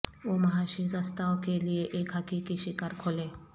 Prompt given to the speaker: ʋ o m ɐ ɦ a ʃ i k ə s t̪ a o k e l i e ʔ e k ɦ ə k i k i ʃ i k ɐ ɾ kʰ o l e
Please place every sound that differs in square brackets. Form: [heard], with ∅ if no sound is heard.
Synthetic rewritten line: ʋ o m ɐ ɦ a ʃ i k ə s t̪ a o k e l i e ʔ e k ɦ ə k i k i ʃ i k [a] ɾ kʰ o l e